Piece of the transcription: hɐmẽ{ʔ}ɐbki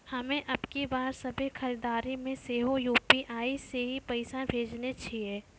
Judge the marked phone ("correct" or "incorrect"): correct